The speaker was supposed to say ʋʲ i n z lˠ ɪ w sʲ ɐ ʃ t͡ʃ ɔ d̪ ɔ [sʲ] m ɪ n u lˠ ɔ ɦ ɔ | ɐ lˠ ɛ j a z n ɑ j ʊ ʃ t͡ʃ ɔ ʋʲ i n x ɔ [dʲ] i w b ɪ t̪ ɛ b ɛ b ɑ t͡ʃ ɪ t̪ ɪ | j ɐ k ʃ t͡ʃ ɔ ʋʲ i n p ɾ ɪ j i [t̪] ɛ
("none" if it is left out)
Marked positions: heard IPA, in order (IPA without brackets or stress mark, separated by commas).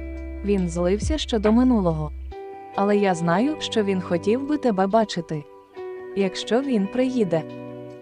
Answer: none, tʲ, d̪